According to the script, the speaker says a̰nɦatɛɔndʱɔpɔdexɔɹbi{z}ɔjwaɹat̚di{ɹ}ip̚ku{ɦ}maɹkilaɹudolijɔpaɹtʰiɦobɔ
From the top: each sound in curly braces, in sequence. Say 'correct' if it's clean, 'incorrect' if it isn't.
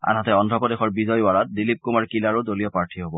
correct, incorrect: l, incorrect: none

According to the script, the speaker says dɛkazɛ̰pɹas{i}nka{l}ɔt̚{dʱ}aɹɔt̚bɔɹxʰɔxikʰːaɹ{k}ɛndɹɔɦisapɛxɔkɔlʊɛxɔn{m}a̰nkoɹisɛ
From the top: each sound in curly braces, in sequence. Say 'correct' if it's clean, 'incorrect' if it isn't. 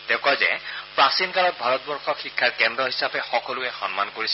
correct, correct, incorrect: bʱ, correct, correct

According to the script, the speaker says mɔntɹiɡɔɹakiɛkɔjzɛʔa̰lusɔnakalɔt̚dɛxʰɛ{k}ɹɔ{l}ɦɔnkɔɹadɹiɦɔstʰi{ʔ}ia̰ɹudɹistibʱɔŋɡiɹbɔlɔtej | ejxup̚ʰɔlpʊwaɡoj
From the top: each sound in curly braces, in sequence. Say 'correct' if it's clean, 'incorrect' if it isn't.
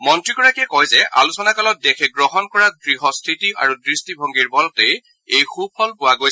incorrect: ɡ, incorrect: none, incorrect: t

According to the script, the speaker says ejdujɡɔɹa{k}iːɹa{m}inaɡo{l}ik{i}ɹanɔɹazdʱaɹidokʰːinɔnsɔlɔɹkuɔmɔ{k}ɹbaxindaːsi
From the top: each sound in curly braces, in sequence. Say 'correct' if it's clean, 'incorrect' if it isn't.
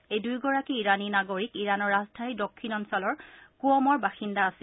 correct, incorrect: n, incorrect: ɹ, correct, incorrect: none

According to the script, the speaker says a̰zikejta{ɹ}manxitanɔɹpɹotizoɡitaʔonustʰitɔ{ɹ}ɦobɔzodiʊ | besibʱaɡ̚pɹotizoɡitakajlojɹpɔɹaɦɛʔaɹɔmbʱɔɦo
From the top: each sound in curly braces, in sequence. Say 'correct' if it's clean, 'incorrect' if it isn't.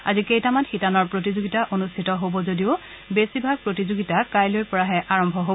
incorrect: none, incorrect: none

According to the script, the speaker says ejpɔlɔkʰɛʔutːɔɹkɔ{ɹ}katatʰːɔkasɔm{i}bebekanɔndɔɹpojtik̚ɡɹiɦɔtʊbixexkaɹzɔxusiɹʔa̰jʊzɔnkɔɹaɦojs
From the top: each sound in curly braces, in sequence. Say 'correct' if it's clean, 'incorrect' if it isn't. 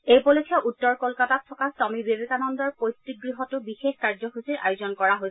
incorrect: l, correct

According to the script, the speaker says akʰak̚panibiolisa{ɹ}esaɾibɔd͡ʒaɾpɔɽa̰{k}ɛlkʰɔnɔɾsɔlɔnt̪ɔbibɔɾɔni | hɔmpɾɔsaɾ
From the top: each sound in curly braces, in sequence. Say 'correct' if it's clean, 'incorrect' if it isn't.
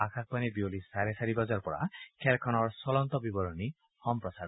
incorrect: ɾ, incorrect: kʰ

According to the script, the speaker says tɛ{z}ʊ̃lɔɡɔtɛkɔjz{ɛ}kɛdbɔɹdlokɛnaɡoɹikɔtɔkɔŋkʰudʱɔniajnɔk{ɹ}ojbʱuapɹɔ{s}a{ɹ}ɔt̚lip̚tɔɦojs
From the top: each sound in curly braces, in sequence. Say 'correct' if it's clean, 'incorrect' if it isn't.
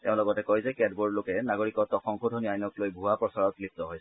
incorrect: none, correct, incorrect: l, correct, correct

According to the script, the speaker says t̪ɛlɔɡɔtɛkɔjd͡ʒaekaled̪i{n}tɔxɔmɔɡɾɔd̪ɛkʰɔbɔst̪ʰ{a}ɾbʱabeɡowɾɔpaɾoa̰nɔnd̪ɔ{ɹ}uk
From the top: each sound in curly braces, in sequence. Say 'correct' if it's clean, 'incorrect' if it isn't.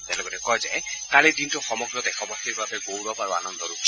correct, incorrect: i, incorrect: ɾ

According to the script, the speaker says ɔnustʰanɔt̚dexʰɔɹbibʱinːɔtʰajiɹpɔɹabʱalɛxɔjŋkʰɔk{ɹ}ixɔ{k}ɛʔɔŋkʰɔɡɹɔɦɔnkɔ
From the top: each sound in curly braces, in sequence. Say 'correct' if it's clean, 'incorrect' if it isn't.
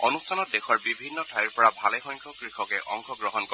correct, correct

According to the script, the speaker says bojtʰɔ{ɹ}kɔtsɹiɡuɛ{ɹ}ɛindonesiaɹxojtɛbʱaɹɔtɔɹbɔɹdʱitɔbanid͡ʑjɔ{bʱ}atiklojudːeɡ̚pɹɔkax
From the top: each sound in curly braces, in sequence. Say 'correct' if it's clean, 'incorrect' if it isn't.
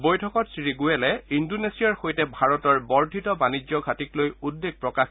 incorrect: none, incorrect: l, incorrect: ɡʱ

